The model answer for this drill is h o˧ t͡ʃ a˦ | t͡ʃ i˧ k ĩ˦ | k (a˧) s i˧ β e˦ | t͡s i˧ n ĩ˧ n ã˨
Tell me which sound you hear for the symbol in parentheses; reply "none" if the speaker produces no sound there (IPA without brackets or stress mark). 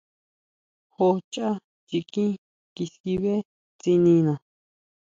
i˧